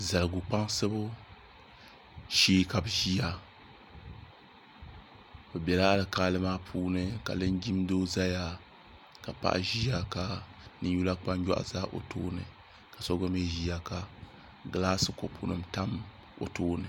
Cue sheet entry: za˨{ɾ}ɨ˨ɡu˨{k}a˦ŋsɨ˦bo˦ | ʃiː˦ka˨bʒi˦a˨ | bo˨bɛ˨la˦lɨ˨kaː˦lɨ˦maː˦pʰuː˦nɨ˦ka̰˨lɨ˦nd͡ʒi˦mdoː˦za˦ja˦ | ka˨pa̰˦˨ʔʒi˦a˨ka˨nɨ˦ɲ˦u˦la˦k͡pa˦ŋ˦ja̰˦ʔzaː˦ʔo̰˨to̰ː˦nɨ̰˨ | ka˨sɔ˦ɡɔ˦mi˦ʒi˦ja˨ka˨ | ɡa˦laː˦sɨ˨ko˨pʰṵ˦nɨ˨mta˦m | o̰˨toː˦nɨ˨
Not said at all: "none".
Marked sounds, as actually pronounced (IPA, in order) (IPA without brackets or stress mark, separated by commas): l, k͡p